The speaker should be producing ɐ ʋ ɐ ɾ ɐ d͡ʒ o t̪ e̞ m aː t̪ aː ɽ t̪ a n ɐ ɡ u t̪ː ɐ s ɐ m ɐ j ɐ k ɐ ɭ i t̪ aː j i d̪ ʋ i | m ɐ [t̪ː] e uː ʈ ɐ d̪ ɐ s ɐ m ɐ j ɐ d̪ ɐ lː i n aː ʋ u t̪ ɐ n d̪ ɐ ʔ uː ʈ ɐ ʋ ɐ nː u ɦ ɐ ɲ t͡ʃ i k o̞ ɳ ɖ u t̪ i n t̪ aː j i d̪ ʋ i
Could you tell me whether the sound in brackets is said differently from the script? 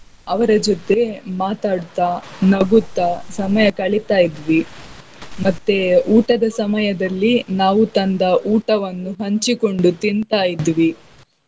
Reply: no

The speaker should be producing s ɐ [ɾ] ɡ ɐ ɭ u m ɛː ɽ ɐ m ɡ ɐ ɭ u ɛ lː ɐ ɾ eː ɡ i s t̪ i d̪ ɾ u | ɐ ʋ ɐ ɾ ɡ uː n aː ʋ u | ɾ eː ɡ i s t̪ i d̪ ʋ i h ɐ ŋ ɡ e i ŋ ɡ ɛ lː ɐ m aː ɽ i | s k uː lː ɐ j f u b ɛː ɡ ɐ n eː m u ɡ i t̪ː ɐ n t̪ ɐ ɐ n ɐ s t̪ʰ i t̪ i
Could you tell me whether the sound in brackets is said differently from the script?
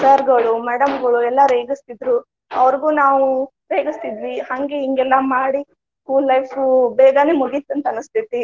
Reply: no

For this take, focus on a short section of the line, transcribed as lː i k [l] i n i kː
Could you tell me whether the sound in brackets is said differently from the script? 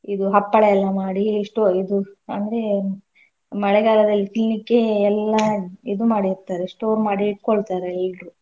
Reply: no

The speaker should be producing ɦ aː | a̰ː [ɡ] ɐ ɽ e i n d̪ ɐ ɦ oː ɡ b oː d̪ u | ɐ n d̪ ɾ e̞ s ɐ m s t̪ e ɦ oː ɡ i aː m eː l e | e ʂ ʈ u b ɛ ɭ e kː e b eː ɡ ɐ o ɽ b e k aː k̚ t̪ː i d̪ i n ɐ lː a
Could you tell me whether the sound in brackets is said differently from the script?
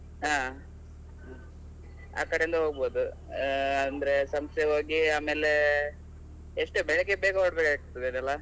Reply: yes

